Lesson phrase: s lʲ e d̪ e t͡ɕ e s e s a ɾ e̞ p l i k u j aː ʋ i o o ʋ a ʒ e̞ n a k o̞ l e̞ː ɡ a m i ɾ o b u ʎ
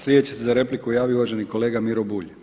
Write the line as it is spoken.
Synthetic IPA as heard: s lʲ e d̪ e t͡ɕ e s e z a ɾ e̞ p l i k u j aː ʋ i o u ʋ a ʒ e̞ n i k o̞ l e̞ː ɡ a m i ɾ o b u ʎ